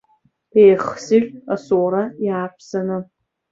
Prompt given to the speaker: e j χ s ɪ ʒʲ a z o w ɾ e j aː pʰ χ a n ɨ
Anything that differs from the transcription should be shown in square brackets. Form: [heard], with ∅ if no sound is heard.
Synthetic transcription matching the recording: e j χ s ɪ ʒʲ a [s] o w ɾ [a] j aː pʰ [s] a n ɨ